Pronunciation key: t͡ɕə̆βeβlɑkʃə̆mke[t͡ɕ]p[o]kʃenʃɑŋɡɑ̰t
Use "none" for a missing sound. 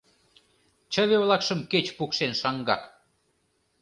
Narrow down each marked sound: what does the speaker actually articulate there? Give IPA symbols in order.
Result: t͡ɕ, u

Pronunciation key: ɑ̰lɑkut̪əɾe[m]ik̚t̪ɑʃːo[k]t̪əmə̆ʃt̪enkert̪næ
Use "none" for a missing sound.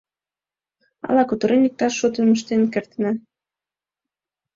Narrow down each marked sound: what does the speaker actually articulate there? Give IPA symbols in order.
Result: n, none

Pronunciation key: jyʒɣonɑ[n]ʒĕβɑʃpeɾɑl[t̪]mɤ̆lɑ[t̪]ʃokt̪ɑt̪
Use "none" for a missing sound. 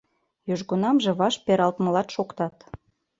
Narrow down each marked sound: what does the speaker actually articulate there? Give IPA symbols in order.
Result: m, t̪, t̪

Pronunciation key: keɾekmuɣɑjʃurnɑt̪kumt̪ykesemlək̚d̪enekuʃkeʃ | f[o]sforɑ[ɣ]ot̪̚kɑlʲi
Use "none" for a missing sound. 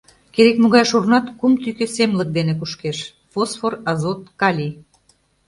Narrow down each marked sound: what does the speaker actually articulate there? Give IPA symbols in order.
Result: o, z

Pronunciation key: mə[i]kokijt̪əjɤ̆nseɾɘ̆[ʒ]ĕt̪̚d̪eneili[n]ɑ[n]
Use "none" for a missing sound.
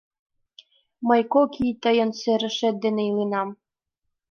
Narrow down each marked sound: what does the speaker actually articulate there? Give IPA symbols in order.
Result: j, ʃ, n, m

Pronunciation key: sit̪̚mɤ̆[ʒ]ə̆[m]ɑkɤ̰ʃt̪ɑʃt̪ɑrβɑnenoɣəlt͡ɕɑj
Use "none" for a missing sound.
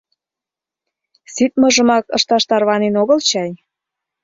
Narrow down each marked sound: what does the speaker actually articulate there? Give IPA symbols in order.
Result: ʒ, m

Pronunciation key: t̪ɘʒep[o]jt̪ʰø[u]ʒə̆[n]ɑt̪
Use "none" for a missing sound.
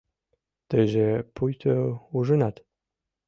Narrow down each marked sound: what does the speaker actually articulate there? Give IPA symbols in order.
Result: u, u, n

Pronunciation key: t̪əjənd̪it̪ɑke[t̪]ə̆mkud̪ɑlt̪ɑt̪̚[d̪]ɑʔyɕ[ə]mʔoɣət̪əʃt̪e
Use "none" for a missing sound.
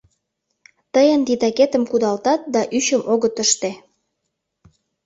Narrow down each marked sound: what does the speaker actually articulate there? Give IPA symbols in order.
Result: t̪, d̪, ə

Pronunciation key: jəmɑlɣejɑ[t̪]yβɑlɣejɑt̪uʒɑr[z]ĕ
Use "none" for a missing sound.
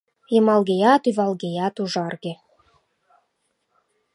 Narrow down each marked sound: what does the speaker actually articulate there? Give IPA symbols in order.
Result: t̪, ɣ

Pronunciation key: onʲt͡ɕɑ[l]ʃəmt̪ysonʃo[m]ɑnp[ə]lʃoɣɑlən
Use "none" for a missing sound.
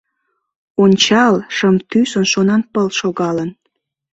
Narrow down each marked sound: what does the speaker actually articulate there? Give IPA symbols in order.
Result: l, n, ə

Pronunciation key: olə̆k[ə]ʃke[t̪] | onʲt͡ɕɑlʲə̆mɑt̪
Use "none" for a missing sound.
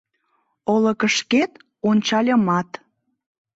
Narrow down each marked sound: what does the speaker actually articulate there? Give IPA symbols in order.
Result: ə, t̪

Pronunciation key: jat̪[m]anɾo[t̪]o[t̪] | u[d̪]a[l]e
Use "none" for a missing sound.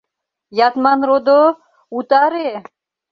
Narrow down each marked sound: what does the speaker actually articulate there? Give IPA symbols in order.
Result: m, d̪, none, t̪, ɾ

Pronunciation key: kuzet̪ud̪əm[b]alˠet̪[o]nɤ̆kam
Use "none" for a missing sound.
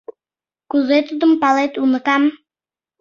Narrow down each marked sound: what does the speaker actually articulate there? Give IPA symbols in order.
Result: p, u

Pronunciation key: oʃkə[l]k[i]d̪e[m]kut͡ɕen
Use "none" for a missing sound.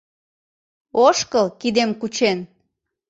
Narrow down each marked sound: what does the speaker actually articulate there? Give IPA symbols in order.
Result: l, i, m

